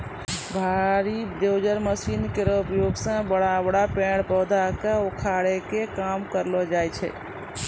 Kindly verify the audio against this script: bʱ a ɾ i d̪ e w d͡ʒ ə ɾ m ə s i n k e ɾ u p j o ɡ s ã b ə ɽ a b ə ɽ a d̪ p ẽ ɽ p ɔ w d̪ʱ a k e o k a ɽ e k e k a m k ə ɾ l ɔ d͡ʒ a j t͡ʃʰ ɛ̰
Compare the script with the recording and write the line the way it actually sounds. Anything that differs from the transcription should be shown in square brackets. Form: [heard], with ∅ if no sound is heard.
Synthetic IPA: bʱ a ɾ i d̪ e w d͡ʒ ə ɾ m ə s i n k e ɾ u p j o ɡ s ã b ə ɽ a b ə ɽ a [∅] p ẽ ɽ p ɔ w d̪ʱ a k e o [kʰ] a ɽ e k e k a m k ə ɾ l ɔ d͡ʒ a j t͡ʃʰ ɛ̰